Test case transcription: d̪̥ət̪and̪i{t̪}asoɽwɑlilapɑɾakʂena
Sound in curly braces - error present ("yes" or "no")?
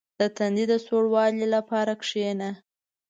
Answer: yes